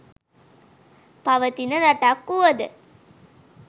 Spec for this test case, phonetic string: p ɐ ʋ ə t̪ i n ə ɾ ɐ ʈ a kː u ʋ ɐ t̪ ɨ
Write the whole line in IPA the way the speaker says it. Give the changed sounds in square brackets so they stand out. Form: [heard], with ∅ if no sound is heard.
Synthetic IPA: p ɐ ʋ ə t̪ i n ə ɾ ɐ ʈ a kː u ʋ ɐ [d̪] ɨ

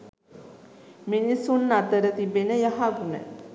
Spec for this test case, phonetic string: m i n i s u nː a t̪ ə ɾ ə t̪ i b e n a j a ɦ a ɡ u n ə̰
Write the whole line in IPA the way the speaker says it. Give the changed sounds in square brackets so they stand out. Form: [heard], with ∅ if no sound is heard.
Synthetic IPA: m i n i s u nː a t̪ ə ɾ ə t̪ i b e n [ə] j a ɦ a ɡ u n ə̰

